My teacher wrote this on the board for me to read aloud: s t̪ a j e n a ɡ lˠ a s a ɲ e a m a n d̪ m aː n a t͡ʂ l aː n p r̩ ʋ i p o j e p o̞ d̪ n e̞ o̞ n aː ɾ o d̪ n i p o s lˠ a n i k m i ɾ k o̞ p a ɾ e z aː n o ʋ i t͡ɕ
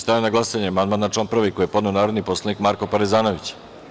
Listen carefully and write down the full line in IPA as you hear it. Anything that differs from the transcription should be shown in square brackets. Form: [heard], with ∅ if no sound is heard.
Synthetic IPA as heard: s t̪ a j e n a ɡ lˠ a s a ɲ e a m a n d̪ m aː n a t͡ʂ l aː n p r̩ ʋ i [k] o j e p o̞ d̪ n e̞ o̞ n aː ɾ o d̪ n i p o s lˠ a n i k m [a] ɾ k o̞ p a ɾ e z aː n o ʋ i t͡ɕ